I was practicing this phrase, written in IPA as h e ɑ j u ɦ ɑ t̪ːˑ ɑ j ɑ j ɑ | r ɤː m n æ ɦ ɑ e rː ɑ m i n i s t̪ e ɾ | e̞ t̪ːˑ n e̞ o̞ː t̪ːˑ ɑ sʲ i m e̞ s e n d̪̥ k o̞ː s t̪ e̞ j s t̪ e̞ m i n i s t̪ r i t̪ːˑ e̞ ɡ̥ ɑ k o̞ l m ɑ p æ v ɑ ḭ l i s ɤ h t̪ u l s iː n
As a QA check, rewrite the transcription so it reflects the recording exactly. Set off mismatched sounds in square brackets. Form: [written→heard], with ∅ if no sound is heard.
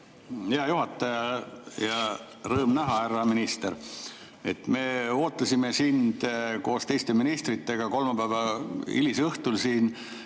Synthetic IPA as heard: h e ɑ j u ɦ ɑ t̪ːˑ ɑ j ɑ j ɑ | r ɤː m n æ ɦ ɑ [e→æ] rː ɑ m i n i s t̪ e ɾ | e̞ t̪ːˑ [n→m] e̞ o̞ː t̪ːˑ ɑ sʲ i m e̞ s [e→i] n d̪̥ k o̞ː s t̪ e̞ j s t̪ e̞ m i n i s t̪ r i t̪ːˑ e̞ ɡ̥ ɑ k o̞ l m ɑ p æ v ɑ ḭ l i s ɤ h t̪ u l s iː n